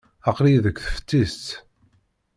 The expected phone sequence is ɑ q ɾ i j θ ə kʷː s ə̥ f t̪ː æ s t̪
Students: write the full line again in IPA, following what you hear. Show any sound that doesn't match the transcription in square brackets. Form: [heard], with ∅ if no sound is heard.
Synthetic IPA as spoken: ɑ q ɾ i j [ð] ə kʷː [θ] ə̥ f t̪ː [i] s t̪